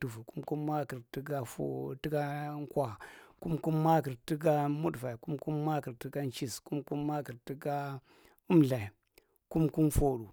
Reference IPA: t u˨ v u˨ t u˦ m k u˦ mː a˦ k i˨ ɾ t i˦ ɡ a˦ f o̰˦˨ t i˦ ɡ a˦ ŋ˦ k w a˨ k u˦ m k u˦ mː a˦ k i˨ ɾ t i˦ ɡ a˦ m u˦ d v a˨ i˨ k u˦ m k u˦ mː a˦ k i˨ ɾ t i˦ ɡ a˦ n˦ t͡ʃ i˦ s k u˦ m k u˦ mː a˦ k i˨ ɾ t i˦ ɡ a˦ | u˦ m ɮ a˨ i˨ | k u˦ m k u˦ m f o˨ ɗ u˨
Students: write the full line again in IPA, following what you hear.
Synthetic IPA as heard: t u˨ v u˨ k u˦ m k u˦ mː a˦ k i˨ ɾ t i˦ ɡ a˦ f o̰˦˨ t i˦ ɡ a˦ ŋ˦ k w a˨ k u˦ m k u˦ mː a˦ k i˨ ɾ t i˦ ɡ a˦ m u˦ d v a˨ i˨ k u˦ m k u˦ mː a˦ k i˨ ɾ t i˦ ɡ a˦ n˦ t͡ʃ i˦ s k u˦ m k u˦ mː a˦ k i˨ ɾ t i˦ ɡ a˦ | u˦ m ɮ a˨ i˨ | k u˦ m k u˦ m f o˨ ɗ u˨